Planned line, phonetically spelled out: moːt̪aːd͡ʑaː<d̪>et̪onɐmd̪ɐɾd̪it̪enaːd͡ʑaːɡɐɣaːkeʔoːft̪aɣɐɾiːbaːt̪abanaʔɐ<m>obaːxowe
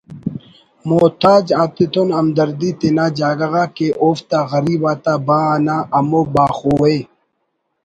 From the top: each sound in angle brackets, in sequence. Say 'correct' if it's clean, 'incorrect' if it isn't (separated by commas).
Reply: incorrect, correct